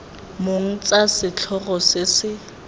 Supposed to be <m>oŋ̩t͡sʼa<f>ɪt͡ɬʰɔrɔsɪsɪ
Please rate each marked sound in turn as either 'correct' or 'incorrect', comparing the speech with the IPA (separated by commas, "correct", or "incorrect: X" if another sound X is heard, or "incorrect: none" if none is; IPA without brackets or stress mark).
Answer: correct, incorrect: s